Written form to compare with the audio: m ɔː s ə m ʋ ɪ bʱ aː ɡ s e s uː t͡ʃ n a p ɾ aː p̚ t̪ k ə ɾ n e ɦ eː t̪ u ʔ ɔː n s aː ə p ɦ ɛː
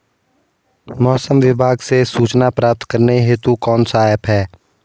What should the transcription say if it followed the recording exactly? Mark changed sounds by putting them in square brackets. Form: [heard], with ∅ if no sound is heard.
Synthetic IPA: m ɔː s ə m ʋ ɪ bʱ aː ɡ s e s uː t͡ʃ n a p ɾ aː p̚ t̪ k ə ɾ n e ɦ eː t̪ u [k] ɔː n s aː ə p ɦ ɛː